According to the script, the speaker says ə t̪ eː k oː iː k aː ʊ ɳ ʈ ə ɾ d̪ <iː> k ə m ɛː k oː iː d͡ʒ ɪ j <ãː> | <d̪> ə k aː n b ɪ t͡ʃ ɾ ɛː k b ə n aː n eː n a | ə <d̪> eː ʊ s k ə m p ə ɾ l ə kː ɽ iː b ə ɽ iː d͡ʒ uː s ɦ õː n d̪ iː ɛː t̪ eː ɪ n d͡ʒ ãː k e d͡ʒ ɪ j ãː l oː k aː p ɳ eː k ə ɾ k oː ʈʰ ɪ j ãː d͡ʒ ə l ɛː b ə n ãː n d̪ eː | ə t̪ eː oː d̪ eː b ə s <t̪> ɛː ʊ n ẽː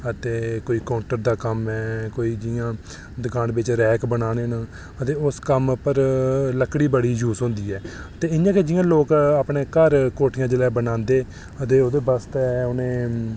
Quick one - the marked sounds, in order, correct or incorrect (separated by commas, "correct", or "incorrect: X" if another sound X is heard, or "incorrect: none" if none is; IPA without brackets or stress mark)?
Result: incorrect: aː, correct, correct, incorrect: t̪, correct